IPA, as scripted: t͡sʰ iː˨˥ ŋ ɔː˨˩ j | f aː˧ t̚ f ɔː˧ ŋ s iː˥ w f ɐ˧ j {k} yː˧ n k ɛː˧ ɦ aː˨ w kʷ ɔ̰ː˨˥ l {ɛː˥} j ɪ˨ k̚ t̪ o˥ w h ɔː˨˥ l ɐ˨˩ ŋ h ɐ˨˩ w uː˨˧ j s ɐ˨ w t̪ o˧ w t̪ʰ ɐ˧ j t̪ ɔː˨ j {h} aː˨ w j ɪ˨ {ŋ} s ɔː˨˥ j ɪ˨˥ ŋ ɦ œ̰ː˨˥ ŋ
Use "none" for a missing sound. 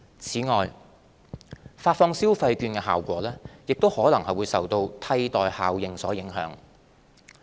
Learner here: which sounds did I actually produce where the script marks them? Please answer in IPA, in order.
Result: k, ɛː˥, h, ŋ

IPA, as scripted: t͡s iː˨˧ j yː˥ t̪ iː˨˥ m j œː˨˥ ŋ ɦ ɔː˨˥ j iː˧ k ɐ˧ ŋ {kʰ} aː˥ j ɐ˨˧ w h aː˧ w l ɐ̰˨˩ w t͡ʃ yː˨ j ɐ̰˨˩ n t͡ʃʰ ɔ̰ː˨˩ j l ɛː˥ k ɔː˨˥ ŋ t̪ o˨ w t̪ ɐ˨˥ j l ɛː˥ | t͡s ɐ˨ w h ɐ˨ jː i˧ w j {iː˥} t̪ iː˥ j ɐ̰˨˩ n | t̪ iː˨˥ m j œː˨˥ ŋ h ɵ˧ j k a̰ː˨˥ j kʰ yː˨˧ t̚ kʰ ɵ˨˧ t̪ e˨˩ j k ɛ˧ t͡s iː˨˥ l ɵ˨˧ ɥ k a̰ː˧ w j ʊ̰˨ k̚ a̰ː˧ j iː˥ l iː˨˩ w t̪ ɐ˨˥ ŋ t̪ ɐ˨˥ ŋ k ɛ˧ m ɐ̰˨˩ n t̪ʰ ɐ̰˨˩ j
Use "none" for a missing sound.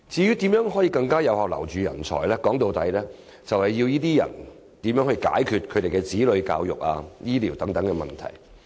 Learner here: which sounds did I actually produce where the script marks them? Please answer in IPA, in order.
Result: k, iː˥

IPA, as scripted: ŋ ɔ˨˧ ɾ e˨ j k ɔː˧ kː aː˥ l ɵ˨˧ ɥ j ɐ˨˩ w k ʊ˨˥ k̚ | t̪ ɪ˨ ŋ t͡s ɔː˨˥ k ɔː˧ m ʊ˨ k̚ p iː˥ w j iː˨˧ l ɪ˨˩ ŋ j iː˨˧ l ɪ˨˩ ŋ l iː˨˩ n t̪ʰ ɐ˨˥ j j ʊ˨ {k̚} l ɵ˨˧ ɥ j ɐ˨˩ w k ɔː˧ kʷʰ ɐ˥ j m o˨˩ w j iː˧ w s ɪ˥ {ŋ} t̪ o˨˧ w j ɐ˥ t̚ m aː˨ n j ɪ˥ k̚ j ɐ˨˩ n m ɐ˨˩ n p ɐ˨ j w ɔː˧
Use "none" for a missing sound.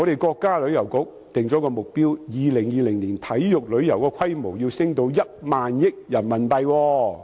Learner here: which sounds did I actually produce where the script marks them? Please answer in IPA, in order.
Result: k̚, ŋ

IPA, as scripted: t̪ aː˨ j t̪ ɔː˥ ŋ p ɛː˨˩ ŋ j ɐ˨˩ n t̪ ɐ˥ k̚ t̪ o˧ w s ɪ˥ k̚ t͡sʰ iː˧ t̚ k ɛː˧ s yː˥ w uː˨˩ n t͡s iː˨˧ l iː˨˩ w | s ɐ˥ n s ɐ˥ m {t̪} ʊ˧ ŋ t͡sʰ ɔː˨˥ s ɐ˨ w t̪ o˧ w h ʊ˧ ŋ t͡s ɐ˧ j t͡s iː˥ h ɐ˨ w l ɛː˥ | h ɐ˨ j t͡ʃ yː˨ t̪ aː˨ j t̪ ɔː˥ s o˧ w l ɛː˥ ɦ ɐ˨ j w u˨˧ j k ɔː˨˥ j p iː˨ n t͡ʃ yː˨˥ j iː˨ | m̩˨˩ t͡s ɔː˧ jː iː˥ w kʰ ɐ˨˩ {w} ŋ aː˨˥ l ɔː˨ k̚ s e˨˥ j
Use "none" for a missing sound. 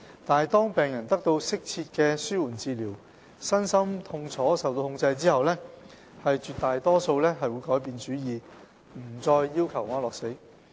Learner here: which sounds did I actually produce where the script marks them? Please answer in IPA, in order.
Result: t̪ʰ, w

